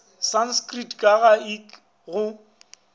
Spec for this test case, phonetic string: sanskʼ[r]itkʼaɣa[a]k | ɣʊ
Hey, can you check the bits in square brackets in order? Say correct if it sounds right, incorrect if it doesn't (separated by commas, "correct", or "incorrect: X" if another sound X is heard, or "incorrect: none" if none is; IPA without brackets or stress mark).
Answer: correct, incorrect: i